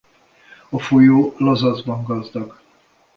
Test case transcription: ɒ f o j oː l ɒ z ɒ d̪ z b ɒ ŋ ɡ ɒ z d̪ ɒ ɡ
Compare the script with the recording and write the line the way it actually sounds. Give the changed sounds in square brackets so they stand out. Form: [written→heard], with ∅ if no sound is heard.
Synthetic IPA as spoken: ɒ f o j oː l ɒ z ɒ [d̪→∅] z b ɒ ŋ ɡ ɒ z d̪ ɒ ɡ